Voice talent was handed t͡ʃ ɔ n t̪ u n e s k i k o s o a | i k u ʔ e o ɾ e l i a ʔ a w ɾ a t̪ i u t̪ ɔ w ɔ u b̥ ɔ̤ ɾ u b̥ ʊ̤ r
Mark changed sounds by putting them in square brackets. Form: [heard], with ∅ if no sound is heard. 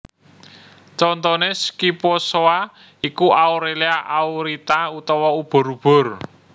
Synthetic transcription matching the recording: t͡ʃ ɔ n t̪ [ɔ] n e s k i [p] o s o a | i k u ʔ [a] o ɾ e l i a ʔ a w ɾ [i] t̪ [a] u t̪ ɔ w ɔ u b̥ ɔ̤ ɾ u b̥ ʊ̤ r